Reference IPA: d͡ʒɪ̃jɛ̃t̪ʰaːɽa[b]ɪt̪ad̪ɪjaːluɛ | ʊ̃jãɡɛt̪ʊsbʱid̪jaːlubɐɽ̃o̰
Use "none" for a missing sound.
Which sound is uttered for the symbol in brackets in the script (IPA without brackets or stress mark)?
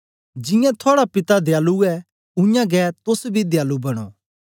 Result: p